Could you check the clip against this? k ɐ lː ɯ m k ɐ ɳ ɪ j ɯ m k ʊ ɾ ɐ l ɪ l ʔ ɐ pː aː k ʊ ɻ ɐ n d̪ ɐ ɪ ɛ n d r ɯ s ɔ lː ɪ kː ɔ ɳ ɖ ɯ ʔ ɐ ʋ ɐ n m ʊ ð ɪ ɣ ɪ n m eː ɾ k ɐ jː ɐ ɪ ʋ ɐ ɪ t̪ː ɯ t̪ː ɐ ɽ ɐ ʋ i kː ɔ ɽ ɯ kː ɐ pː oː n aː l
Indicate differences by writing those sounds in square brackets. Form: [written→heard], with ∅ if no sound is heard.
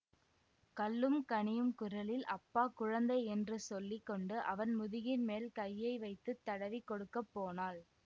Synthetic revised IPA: k ɐ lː ɯ m k ɐ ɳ ɪ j ɯ m k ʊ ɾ ɐ l ɪ l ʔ ɐ pː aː k ʊ ɻ ɐ n d̪ ɐ ɪ ɛ n d r ɯ s ɔ lː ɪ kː ɔ ɳ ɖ ɯ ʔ ɐ ʋ ɐ n m ʊ ð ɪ ɣ ɪ n m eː [ɾ→l] k ɐ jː ɐ ɪ ʋ ɐ ɪ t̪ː ɯ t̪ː ɐ ɽ ɐ ʋ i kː ɔ ɽ ɯ kː ɐ pː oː n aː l